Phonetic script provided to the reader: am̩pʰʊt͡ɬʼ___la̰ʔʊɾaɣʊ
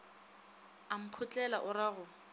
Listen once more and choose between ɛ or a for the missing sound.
ɛ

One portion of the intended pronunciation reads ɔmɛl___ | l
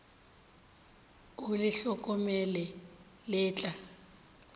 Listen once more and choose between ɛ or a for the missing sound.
ɛ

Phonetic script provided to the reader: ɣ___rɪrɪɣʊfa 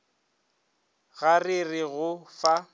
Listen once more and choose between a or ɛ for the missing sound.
a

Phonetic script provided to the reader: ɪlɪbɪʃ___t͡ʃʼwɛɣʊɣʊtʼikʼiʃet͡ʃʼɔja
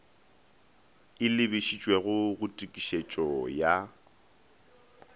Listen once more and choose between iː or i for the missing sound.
i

